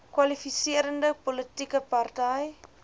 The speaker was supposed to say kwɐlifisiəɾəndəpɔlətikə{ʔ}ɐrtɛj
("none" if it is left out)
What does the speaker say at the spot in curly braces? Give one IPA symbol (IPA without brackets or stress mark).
p